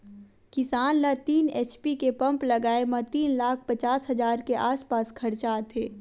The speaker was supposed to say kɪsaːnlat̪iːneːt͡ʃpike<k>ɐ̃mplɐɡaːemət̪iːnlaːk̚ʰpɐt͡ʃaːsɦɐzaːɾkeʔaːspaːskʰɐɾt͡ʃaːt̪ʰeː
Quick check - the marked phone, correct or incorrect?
incorrect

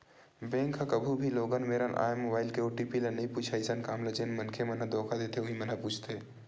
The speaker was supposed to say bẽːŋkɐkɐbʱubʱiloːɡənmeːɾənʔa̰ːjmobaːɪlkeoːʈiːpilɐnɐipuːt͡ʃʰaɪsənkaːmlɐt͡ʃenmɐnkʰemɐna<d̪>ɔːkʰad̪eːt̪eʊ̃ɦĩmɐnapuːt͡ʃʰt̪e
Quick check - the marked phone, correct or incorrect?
correct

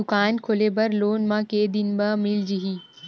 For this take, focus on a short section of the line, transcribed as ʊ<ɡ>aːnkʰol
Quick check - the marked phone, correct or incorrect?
incorrect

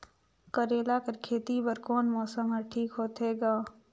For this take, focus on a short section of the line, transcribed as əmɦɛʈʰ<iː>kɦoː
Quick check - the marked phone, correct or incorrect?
correct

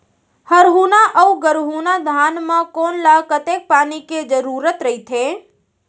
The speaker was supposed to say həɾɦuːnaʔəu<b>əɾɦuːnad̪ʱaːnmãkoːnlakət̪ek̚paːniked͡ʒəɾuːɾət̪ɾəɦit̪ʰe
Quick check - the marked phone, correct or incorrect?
incorrect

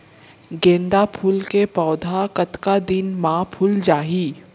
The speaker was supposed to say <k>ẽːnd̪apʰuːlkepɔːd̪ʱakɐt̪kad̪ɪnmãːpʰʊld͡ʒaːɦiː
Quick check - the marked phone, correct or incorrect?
incorrect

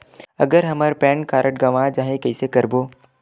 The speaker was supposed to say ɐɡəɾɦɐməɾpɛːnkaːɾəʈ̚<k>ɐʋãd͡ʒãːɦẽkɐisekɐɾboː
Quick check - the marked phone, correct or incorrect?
incorrect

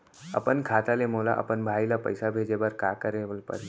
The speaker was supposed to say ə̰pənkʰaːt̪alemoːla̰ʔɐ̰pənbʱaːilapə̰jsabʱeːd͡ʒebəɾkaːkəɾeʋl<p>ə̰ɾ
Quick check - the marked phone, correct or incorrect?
correct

